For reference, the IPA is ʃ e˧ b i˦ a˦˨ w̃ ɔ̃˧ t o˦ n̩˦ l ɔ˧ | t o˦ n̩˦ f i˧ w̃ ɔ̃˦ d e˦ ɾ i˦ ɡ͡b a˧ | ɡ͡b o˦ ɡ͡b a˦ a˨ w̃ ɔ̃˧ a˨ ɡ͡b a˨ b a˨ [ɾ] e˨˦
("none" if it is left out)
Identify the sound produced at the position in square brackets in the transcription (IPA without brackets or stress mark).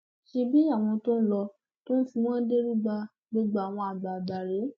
ɾ